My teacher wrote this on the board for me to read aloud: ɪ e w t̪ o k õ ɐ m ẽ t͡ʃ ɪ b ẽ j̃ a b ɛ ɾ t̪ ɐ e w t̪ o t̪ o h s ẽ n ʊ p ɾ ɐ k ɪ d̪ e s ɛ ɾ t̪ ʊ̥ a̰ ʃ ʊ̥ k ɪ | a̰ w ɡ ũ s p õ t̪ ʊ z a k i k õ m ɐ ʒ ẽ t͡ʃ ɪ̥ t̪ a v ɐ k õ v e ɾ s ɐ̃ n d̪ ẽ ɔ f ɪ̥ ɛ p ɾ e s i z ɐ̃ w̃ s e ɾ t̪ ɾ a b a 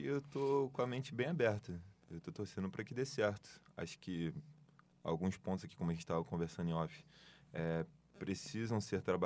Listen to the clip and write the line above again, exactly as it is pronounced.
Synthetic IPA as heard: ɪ e w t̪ o k õ ɐ m ẽ t͡ʃ ɪ b ẽ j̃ a b ɛ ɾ t̪ ɐ e w t̪ o t̪ o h s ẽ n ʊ p ɾ ɐ k ɪ d̪ e s ɛ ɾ t̪ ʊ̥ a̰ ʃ ʊ̥ k ɪ | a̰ w ɡ ũ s p õ t̪ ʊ z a k i k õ m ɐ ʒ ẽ t͡ʃ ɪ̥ t̪ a v ɐ k õ v e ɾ s ɐ̃ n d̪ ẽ ɔ f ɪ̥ ɛ p ɾ e s i z ɐ̃ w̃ s e ɾ t̪ ɾ a b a